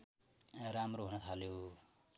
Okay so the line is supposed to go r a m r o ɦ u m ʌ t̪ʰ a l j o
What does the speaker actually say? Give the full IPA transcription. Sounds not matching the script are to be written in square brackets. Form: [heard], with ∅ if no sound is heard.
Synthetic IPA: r a m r o ɦ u [n] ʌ t̪ʰ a l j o